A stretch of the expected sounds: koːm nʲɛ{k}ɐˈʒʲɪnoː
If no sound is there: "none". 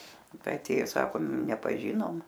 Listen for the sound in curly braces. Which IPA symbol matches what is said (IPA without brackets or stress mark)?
p